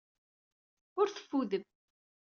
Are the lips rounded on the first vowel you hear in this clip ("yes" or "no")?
yes